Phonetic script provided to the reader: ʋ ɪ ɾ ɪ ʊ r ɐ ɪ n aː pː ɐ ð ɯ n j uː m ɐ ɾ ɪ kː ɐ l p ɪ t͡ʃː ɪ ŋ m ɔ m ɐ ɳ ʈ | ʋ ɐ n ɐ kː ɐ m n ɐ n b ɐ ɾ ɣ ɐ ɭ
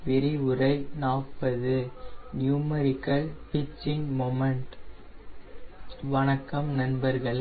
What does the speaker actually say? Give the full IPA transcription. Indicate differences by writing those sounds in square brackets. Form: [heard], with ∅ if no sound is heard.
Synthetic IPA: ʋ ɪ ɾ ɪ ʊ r ɐ ɪ n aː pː ɐ ð ɯ n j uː m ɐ ɾ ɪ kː ɐ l p ɪ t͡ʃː ɪ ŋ m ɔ m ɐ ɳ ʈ | ʋ ɐ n ɐ kː ɐ m n ɐ n b ɐ ɾ ɣ ɐ ɭ

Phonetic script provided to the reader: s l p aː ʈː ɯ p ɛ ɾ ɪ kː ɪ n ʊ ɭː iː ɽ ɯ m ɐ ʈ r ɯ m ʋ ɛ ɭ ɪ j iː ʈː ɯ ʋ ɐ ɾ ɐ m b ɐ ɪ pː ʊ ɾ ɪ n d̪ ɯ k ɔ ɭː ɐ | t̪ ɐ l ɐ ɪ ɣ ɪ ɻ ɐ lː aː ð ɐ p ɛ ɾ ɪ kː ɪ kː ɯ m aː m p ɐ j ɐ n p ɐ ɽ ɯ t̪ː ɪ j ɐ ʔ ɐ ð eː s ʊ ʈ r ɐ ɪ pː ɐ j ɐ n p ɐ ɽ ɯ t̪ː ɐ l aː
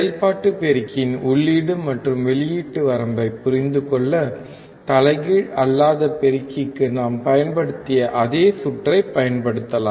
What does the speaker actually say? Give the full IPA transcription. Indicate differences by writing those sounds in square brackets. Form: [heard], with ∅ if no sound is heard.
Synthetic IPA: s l p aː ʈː ɯ p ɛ ɾ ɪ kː ɪ n ʊ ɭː iː ɽ ɯ m ɐ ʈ r ɯ m ʋ ɛ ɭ ɪ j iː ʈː ɯ ʋ ɐ ɾ ɐ m b ɐ ɪ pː ʊ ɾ ɪ n d̪ ɯ k ɔ ɭː ɐ | t̪ ɐ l ɐ ɪ ɣ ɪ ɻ ɐ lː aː ð ɐ p ɛ ɾ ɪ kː ɪ kː ɯ [n] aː m p ɐ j ɐ n p ɐ ɽ ɯ t̪ː ɪ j ɐ ʔ ɐ ð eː s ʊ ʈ r ɐ ɪ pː ɐ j ɐ n p ɐ ɽ ɯ t̪ː ɐ l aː

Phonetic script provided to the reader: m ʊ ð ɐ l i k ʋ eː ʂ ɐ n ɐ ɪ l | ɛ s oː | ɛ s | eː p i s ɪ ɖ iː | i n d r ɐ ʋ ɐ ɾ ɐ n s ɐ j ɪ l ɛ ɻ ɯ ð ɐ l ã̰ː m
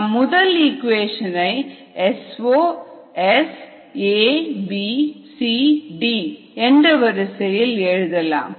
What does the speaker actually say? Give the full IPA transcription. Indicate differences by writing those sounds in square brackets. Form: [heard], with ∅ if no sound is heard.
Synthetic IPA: m ʊ ð ɐ l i k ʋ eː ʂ ɐ n ɐ ɪ [∅] | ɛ s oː | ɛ s | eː [b] i s [i] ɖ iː | [ɛ] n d r ɐ ʋ ɐ ɾ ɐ [∅] s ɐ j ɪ l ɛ ɻ ɯ ð ɐ l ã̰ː m

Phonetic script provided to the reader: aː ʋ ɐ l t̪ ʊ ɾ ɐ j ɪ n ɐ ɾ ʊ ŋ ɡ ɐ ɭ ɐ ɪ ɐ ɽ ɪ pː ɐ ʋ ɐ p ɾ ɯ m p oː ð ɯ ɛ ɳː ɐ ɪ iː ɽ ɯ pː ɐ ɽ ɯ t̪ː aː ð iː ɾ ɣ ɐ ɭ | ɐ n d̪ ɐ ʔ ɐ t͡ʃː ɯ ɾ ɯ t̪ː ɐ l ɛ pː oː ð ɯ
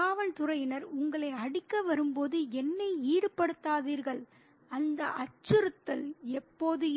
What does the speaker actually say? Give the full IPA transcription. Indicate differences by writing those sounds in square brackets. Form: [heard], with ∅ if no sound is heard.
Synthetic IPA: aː ʋ ɐ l t̪ ʊ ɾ ɐ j ɪ n ɐ ɾ ʊ ŋ ɡ ɐ ɭ ɐ ɪ ɐ ɽ ɪ [kː] ɐ ʋ ɐ [∅] ɾ ɯ m p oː ð ɯ ɛ [nː] ɐ ɪ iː ɽ ɯ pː ɐ ɽ ɯ t̪ː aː ð iː ɾ ɣ ɐ ɭ | ɐ n d̪ ɐ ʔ ɐ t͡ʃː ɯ ɾ ɯ t̪ː ɐ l ɛ pː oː ð ɯ

